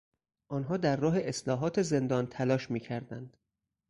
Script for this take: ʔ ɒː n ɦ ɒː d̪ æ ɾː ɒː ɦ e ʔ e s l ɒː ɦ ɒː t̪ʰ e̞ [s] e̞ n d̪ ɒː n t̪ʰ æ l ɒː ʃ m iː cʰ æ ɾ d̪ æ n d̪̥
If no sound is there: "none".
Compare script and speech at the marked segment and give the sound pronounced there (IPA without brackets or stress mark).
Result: z